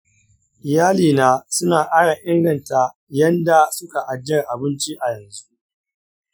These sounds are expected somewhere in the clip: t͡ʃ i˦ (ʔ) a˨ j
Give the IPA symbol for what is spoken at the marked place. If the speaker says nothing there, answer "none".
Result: ʔ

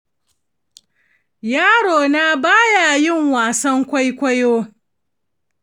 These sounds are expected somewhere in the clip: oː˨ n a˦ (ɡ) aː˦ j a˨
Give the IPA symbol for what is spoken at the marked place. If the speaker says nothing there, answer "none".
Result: b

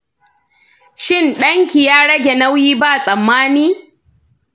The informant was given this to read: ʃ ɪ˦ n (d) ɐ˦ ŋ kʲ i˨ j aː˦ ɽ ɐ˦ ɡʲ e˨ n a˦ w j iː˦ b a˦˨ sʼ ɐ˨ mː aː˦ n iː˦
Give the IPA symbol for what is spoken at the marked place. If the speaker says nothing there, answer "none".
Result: ɗ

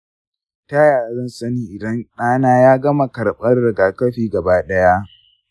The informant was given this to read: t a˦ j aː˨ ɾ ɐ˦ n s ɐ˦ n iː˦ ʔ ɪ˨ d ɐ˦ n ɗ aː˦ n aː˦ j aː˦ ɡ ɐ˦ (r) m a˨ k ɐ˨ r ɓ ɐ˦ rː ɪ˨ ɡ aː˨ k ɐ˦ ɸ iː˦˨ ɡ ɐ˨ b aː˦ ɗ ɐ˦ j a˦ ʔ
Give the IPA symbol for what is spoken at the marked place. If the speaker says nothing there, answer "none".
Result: none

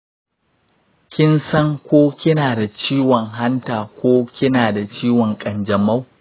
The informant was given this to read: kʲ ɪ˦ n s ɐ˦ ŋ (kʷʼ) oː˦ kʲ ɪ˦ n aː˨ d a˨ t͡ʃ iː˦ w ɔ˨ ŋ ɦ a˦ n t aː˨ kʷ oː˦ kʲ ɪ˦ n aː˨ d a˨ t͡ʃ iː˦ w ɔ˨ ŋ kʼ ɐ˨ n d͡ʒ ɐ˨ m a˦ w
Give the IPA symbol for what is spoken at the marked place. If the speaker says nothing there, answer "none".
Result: kʷ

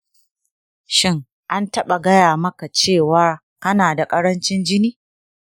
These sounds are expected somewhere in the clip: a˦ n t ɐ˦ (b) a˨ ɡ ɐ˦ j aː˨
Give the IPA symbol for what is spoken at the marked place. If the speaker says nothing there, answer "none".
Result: ɓ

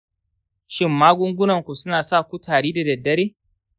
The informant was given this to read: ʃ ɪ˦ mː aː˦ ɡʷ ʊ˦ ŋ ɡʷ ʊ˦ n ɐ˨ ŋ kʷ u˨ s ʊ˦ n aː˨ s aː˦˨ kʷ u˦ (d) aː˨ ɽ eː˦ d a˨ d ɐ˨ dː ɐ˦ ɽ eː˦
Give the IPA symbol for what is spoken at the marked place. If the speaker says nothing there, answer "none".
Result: t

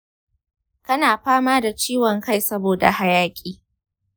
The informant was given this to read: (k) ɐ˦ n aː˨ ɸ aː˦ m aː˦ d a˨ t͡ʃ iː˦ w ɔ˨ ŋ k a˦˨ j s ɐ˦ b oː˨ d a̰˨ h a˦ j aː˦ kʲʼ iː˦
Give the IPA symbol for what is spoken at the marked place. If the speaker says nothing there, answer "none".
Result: k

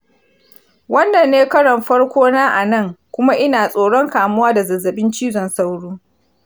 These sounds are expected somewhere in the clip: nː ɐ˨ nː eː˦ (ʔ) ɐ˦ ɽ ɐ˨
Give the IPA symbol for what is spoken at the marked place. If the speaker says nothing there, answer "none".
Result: k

